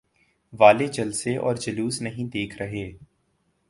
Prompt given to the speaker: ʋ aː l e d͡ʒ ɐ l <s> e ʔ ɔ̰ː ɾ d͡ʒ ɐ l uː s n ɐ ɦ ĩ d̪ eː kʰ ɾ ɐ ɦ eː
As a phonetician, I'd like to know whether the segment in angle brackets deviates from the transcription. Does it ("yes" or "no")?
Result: no